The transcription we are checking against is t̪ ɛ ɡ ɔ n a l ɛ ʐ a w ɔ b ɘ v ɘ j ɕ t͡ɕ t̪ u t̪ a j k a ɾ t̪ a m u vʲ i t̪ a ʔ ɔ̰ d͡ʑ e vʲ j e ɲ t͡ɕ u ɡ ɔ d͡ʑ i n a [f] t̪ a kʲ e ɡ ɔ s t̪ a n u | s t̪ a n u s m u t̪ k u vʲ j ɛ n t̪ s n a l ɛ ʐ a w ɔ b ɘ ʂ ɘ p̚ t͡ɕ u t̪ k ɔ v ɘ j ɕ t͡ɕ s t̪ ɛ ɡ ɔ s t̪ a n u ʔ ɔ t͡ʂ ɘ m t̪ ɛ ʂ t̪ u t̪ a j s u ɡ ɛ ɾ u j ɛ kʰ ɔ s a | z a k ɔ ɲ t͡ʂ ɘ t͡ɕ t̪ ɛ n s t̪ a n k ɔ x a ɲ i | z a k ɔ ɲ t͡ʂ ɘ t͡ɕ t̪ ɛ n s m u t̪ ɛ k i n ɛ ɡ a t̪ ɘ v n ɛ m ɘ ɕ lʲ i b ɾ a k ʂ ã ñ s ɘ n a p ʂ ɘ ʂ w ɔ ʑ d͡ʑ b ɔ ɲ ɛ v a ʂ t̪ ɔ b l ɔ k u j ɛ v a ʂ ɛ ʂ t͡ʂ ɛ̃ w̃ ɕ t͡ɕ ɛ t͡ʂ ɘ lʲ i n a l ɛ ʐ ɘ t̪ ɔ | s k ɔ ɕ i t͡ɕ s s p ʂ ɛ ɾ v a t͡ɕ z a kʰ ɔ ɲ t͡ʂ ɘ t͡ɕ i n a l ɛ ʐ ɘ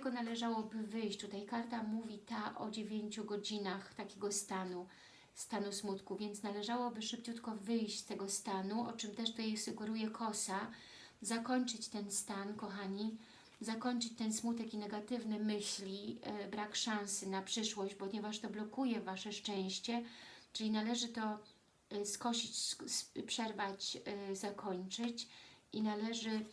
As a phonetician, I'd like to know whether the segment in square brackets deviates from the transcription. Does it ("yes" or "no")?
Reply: yes